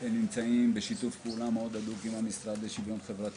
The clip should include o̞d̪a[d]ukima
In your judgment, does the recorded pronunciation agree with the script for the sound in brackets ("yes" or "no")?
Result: yes